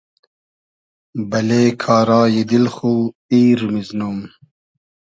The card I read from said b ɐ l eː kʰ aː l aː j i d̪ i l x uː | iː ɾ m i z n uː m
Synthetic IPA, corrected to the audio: b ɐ l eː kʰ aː ɾ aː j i d̪ i l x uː | iː ɾ m i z n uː m